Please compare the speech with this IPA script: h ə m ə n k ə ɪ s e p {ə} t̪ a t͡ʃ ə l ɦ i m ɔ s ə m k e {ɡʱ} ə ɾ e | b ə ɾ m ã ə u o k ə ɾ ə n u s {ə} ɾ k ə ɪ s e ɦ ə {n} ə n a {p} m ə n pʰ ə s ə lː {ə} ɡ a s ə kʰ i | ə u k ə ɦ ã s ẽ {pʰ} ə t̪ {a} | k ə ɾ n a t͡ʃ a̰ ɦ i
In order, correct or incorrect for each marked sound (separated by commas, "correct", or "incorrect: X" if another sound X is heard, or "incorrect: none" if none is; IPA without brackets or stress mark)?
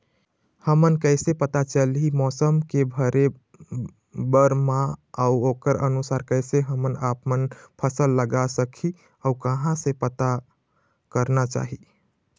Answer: correct, incorrect: bʱ, incorrect: a, incorrect: m, correct, correct, incorrect: p, correct